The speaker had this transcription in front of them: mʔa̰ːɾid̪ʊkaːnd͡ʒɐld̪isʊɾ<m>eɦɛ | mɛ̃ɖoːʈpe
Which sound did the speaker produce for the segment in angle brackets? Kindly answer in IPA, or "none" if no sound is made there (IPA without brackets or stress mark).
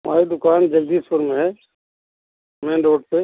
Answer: m